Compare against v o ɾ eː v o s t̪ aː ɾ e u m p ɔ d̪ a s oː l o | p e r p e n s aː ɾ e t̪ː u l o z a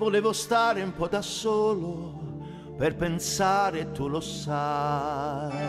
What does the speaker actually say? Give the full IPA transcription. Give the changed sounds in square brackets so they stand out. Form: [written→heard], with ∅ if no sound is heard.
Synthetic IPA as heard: v o [ɾ→l] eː v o s t̪ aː ɾ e u m p ɔ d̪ a s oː l o | p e r p e n s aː ɾ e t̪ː u l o [z→s] a

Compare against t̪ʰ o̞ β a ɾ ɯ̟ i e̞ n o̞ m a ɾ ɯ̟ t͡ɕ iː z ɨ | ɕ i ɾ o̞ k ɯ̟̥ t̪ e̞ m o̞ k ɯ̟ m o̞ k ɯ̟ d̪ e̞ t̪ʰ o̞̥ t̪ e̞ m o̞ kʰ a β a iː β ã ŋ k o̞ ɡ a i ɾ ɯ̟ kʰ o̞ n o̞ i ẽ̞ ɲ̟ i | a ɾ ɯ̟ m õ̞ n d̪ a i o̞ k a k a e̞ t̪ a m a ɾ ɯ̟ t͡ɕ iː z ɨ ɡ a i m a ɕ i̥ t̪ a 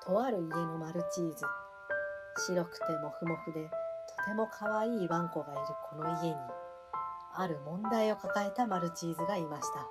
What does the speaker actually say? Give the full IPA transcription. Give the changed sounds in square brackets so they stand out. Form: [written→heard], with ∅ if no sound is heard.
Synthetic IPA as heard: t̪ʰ o̞ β a ɾ ɯ̟ i e̞ n o̞ m a ɾ ɯ̟ t͡ɕ iː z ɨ | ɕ i ɾ o̞ k ɯ̟̥ t̪ e̞ m o̞ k ɯ̟ m o̞ k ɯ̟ d̪ e̞ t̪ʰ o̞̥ t̪ e̞ m o̞ kʰ a β a iː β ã ŋ k o̞ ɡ a i ɾ ɯ̟ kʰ o̞ n o̞ i [ẽ̞→e̞] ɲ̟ i | a ɾ ɯ̟ m õ̞ n d̪ a i o̞ k a k a e̞ t̪ a m a ɾ ɯ̟ t͡ɕ iː z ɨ ɡ a i m a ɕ i̥ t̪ a

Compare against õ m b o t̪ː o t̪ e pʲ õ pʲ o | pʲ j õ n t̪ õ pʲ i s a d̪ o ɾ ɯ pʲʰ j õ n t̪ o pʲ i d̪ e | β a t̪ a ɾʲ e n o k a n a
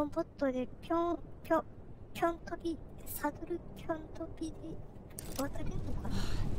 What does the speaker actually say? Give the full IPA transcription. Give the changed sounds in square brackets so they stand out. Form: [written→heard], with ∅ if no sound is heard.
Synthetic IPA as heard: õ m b o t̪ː o [t̪→d̪] e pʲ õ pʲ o | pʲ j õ n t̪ [õ→o] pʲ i s a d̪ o ɾ ɯ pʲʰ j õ n t̪ o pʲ i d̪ e | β a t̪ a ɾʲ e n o k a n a

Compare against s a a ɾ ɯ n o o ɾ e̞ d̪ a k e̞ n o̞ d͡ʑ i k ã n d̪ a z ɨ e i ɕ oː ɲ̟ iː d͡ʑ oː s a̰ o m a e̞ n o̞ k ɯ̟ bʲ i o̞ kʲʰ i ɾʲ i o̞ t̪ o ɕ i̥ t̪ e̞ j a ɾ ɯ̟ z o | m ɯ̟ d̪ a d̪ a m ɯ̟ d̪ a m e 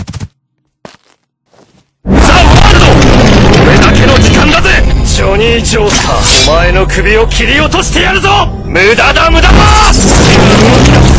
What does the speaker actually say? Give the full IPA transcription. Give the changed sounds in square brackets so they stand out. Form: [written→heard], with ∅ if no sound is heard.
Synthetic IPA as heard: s a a ɾ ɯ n o o ɾ e̞ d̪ a k e̞ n o̞ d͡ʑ i k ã n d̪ a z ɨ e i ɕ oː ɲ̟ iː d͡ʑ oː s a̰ o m a e̞ n o̞ k ɯ̟ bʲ i o̞ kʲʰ i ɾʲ i o̞ t̪ o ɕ i̥ t̪ e̞ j a ɾ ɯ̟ z o | m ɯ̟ d̪ a d̪ a m ɯ̟ d̪ a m [e→a]

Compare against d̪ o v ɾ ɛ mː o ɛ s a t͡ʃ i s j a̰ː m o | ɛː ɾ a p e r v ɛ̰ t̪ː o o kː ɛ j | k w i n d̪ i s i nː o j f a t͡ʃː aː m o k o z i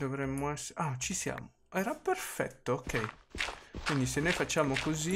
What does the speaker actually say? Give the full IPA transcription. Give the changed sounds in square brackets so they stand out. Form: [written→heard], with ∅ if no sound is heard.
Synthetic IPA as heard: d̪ o v ɾ ɛ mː o ɛ s a t͡ʃ i s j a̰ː m o | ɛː ɾ a p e r [v→f] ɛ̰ t̪ː o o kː ɛ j | k w i n d̪ i s [i→e] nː o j f a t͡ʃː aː m o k o z i

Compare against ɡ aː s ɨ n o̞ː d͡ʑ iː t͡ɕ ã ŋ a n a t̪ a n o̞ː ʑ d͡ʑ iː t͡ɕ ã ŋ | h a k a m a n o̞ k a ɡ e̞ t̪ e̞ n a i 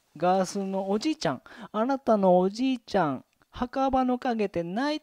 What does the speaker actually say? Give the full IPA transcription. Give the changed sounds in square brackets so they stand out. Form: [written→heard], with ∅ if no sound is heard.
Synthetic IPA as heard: ɡ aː s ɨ n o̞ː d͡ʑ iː t͡ɕ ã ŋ a n a t̪ a n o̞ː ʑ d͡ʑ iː t͡ɕ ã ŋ | h a k a [m→b] a n o̞ k a ɡ e̞ t̪ e̞ n a i

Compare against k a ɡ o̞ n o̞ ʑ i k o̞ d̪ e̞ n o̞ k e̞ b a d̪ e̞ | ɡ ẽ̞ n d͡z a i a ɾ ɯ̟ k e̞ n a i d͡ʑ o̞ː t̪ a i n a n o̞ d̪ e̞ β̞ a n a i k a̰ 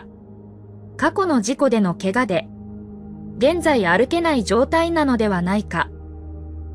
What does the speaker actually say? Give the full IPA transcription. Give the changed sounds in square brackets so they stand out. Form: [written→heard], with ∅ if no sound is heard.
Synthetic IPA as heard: k a [ɡ→k] o̞ n o̞ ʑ i k o̞ d̪ e̞ n o̞ k e̞ [b→ɡ] a d̪ e̞ | ɡ ẽ̞ n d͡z a i a ɾ ɯ̟ k e̞ n a i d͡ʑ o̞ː t̪ a i n a n o̞ d̪ e̞ β̞ a n a i k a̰

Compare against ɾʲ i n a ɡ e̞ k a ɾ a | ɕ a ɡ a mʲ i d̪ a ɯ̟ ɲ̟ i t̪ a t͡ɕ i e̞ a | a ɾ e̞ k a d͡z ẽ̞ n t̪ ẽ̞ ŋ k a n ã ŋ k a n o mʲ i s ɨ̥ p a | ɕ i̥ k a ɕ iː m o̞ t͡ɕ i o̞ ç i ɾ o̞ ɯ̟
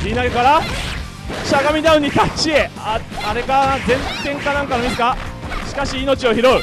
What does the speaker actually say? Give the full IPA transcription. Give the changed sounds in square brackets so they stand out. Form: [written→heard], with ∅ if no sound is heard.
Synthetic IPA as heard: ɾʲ i n a ɡ e̞ k a ɾ a | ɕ a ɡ a mʲ i d̪ a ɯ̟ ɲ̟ i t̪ a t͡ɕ i e̞ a | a ɾ e̞ k a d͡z ẽ̞ n t̪ ẽ̞ ŋ k a n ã ŋ k a n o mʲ i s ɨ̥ [p→k] a | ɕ i̥ k a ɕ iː [m→n] o̞ t͡ɕ i o̞ ç i ɾ o̞ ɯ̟

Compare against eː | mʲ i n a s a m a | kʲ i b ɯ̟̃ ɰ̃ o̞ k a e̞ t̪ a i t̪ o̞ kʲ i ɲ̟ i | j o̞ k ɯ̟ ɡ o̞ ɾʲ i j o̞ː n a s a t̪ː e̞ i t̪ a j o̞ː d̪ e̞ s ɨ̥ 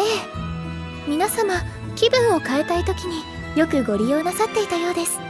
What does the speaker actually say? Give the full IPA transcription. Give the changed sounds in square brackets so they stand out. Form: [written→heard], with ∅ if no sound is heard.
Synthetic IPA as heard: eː | mʲ i n a s a m a | kʲ i b ɯ̟̃ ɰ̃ o̞ k a e̞ t̪ a i t̪ o̞ kʲ i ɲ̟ i | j o̞ k ɯ̟ ɡ o̞ ɾʲ i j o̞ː n a s a t̪ː e̞ i t̪ a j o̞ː d̪ e̞ s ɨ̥

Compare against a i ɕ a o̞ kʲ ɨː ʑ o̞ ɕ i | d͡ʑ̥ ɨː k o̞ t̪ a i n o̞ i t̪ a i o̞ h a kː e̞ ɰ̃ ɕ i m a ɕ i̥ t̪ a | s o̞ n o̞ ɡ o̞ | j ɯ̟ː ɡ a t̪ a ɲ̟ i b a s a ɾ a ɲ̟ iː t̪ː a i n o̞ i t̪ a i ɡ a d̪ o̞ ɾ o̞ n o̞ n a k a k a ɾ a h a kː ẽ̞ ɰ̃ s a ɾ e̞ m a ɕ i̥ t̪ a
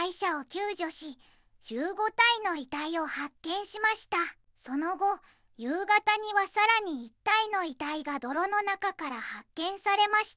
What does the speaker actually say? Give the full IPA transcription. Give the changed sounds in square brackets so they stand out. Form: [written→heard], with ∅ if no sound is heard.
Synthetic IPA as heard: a i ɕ a o̞ kʲ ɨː ʑ o̞ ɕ i | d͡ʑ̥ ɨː [k→ɡ] o̞ t̪ a i n o̞ i t̪ a i o̞ h a kː [e̞→ẽ̞] ɰ̃ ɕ i m a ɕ i̥ t̪ a | s o̞ n o̞ ɡ o̞ | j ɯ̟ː ɡ a t̪ a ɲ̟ i [b→β] a s a ɾ a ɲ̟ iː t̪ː a i n o̞ i t̪ a i ɡ a d̪ o̞ ɾ o̞ n o̞ n a k a k a ɾ a h a kː ẽ̞ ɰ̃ s a ɾ e̞ m a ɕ i̥ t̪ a

